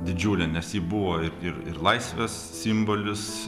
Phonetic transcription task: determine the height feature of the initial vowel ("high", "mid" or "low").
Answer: high